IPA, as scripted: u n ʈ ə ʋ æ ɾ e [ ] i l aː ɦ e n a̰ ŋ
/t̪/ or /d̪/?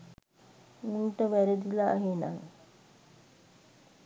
d̪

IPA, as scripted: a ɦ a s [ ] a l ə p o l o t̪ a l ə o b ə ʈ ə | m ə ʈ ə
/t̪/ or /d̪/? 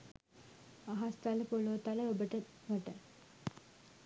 t̪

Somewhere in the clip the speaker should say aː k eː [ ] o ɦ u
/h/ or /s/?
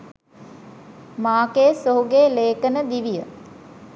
s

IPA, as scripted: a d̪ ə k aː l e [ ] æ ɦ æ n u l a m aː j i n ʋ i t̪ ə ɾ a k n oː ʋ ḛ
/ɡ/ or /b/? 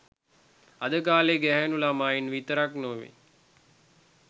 ɡ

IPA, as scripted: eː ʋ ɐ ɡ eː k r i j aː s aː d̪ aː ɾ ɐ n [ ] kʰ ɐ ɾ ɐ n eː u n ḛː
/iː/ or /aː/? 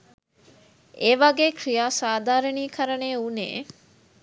iː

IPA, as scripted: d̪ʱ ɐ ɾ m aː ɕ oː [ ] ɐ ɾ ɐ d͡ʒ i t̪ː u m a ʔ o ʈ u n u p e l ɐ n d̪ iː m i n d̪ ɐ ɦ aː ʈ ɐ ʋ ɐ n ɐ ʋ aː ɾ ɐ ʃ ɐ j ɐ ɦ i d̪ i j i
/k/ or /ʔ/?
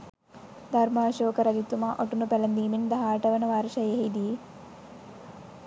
k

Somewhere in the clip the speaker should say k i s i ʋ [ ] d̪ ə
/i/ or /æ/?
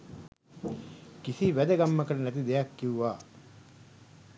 æ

